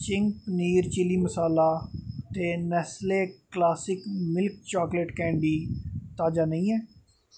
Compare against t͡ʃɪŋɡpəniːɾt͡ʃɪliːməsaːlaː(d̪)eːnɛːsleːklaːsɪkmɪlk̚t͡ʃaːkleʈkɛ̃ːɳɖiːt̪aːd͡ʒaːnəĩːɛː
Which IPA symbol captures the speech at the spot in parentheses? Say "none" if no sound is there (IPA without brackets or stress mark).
t̪